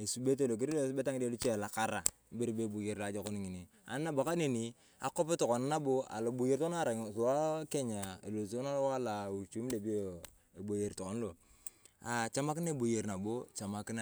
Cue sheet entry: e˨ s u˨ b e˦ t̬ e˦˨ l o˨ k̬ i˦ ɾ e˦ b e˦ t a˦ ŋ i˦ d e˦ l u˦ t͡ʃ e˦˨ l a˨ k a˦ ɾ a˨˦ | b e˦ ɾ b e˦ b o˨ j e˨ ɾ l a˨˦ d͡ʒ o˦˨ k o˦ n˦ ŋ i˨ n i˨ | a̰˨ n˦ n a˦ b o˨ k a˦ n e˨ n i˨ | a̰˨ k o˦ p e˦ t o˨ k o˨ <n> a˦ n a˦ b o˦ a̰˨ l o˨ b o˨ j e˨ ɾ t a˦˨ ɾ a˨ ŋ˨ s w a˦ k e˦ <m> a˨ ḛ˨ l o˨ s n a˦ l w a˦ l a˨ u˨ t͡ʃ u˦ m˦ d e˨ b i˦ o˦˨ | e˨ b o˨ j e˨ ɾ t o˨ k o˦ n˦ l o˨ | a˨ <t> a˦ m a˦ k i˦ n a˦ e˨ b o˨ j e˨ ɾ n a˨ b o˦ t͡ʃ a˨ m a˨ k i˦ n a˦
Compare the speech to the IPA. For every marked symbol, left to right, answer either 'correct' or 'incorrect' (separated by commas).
correct, incorrect, incorrect